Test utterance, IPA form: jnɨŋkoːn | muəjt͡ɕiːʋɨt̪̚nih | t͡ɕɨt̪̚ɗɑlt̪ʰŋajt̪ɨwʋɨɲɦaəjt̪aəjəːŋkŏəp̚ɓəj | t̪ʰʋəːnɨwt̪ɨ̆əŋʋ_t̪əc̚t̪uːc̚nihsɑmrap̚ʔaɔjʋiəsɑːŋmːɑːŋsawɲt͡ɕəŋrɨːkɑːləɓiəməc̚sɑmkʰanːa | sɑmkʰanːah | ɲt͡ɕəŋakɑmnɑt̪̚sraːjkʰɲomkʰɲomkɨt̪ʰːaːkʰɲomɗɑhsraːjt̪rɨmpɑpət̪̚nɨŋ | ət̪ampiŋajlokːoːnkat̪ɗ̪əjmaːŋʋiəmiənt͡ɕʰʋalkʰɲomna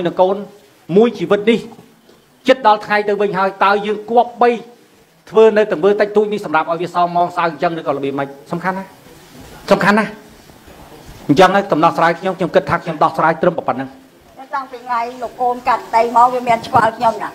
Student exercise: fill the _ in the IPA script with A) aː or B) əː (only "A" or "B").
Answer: B